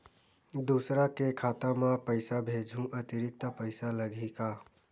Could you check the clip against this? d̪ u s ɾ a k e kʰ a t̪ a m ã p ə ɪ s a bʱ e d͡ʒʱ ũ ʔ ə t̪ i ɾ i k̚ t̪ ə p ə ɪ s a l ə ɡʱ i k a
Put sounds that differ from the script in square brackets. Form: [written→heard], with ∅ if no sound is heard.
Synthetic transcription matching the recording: d̪ u s ɾ a k e kʰ a t̪ a m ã p ə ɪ s a bʱ e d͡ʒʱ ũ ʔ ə t̪ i ɾ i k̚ t̪ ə p ə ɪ s a l ə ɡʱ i k a